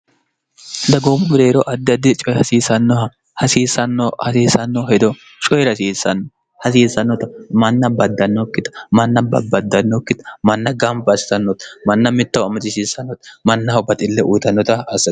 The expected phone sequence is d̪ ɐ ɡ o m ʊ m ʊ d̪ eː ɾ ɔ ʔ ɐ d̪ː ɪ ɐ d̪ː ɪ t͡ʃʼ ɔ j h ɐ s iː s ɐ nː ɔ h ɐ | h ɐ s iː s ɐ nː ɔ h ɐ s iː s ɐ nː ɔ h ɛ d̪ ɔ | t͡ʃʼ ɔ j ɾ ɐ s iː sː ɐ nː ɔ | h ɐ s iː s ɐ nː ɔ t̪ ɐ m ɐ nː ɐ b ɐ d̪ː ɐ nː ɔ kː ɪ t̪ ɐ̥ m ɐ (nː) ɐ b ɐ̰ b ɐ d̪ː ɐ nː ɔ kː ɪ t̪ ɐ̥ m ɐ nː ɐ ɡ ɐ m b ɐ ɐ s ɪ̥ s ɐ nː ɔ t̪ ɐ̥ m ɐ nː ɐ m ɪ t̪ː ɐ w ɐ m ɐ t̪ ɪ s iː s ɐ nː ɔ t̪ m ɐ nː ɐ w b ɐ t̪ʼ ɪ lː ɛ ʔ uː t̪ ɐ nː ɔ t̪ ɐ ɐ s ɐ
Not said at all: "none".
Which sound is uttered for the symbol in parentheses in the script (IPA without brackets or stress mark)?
nː